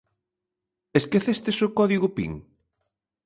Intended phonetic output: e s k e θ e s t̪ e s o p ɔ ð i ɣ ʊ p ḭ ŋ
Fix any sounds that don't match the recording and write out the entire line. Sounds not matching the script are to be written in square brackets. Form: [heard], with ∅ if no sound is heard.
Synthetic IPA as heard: e s k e θ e s t̪ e s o [k] ɔ ð i ɣ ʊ p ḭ ŋ